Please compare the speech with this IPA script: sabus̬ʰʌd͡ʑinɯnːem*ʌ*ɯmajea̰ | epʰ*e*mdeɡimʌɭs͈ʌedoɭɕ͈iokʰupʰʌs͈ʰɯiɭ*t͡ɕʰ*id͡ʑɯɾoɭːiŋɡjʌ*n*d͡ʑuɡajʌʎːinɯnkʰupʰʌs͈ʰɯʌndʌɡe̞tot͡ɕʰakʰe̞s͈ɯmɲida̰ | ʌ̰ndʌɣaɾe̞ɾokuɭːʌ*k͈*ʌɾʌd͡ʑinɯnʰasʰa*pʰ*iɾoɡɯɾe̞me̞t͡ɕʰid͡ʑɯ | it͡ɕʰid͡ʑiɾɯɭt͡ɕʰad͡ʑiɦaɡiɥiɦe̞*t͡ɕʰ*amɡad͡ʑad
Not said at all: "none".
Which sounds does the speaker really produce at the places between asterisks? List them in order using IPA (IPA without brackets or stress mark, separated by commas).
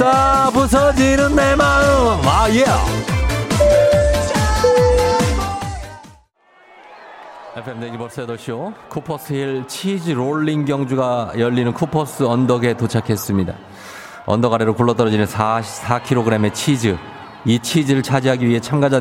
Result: a, e, t͡ɕʰ, ŋ, t͈, kʰ, t͡ɕʰ